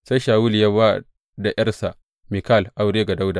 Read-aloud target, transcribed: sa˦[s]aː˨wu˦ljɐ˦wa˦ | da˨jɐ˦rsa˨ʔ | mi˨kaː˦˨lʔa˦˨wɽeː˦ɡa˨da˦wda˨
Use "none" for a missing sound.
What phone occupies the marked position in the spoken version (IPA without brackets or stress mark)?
ʃ